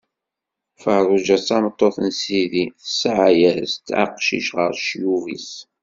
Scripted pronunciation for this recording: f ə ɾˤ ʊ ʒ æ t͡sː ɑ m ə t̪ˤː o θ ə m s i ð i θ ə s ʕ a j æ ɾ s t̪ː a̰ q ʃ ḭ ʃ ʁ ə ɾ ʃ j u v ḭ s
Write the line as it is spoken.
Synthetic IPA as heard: f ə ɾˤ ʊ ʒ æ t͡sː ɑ m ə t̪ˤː o θ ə n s i ð i θ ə s ʕ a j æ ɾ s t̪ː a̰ q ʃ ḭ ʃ ʁ ə ɾ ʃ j u v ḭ s